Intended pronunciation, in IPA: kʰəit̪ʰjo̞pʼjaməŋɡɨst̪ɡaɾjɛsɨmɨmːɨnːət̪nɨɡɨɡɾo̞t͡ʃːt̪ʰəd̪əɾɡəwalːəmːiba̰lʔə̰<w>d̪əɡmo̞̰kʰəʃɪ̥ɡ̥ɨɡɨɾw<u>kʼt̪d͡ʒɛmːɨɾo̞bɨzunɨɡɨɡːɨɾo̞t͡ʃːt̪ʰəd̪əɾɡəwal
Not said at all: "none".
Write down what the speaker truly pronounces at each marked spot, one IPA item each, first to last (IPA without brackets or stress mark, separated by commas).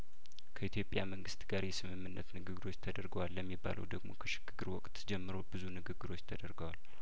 w, ɔ